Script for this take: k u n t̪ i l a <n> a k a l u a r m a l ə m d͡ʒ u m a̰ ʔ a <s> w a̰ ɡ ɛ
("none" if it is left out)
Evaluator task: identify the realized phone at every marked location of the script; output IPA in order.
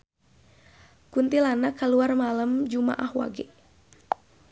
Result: n, h

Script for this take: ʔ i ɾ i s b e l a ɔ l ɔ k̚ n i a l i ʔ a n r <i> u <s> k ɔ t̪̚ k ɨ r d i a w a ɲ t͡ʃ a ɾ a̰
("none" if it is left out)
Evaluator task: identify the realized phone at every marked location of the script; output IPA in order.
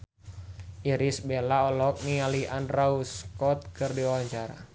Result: a, s

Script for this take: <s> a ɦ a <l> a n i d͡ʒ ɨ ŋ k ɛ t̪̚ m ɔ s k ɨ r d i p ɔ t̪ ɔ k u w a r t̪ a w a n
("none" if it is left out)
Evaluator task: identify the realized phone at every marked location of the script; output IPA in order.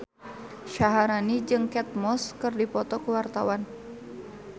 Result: ʃ, ɾ

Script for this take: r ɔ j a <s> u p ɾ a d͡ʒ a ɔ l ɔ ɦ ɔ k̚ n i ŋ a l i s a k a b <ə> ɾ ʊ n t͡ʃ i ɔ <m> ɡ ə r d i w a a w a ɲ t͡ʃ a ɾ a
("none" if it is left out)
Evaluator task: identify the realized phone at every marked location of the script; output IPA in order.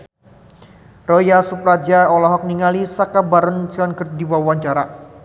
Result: s, a, n

